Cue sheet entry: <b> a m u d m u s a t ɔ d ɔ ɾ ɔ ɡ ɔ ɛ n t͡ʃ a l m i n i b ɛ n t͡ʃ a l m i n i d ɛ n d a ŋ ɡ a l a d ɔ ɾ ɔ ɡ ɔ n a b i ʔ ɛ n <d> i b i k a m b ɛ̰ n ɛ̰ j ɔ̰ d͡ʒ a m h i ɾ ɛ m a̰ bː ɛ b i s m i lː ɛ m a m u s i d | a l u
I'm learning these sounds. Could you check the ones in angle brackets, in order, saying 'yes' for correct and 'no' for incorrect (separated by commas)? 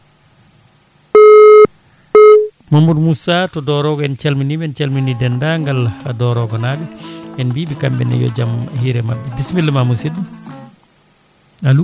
no, no